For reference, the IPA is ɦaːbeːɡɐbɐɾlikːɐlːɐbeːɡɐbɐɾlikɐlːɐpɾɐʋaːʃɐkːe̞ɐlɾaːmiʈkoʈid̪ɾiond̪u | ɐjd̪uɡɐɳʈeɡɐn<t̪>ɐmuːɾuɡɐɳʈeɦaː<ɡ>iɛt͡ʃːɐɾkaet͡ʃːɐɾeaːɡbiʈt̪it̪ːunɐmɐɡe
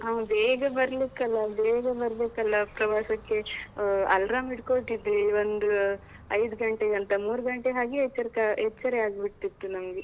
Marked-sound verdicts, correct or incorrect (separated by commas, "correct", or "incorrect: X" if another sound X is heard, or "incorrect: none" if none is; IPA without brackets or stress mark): correct, correct